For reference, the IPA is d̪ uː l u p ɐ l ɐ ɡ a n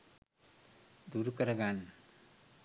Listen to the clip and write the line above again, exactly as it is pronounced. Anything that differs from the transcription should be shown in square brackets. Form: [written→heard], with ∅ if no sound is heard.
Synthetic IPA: d̪ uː [l→ɾ] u [p→k] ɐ [l→ɾ] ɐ ɡ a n